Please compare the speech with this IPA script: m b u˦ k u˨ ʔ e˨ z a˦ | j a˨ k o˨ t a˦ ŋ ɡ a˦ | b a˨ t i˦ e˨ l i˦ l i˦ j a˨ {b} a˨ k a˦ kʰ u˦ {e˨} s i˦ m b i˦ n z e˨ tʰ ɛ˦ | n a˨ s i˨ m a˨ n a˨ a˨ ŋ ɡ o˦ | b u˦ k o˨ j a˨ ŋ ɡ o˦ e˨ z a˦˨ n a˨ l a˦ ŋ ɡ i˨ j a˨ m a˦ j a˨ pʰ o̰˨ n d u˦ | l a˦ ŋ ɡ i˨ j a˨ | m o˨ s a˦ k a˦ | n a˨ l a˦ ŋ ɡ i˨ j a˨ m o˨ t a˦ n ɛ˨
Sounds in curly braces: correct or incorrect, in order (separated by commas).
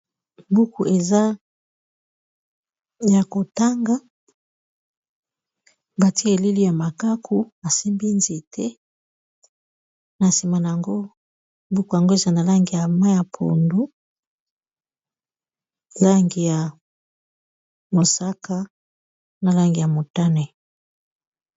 incorrect, incorrect